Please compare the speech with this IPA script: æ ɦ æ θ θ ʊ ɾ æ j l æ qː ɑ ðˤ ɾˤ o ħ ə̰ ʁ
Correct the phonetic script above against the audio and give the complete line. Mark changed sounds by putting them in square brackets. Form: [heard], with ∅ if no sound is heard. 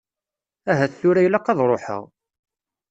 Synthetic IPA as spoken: æ ɦ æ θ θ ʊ ɾ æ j l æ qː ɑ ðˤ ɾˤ o ħ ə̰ ʁ